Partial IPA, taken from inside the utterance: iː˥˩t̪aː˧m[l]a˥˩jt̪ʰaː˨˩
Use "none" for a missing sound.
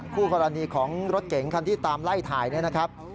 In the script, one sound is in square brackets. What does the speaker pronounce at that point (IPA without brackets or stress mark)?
l